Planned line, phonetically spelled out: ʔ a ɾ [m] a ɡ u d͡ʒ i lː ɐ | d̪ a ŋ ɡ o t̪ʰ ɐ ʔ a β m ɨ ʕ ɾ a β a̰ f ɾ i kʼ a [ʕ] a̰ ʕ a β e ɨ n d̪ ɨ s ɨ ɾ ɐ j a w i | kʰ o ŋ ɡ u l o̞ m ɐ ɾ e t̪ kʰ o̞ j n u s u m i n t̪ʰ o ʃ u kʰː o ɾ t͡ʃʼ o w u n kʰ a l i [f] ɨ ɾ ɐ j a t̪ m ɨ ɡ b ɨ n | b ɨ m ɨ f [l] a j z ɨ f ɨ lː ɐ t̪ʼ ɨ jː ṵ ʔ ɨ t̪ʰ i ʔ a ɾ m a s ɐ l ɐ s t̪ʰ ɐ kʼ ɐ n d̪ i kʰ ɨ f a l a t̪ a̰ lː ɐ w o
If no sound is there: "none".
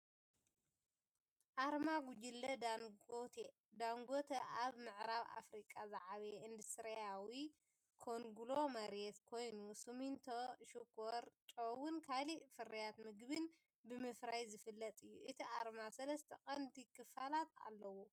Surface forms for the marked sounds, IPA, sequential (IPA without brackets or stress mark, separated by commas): m, z, f, ɾ